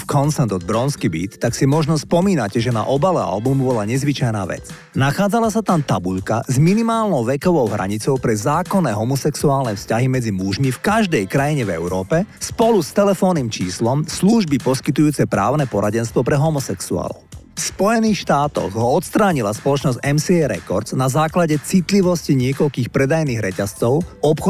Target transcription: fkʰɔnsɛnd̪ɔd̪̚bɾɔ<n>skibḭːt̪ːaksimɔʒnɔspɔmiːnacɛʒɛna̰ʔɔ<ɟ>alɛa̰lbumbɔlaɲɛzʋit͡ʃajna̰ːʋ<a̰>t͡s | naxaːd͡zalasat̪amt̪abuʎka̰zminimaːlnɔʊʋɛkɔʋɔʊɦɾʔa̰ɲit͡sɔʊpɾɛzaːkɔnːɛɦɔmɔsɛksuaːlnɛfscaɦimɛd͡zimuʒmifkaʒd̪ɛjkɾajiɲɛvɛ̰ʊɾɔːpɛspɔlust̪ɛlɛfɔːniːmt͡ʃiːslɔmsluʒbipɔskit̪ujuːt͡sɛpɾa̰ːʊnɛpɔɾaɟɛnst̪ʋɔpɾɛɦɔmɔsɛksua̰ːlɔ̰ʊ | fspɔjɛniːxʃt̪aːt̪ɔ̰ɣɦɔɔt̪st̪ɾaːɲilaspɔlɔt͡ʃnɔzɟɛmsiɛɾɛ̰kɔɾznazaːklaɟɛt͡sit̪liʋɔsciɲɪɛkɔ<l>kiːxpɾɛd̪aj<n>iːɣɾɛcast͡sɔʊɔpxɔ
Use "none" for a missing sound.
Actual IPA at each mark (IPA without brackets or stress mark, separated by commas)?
n, b, ɛ̰, ʎ, n